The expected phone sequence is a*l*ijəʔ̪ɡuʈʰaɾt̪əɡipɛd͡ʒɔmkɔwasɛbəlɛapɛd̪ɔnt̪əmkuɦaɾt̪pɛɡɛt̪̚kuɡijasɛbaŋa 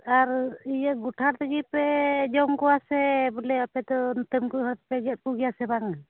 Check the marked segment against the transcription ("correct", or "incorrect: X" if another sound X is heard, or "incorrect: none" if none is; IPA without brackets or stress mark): incorrect: ɾ